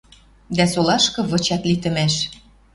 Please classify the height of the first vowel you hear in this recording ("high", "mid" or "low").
low